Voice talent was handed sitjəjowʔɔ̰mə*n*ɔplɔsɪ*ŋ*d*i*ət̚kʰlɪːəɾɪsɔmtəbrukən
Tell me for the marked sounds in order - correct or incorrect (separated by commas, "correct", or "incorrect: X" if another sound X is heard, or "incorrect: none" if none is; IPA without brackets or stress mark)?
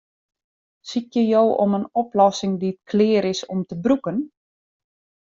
correct, correct, correct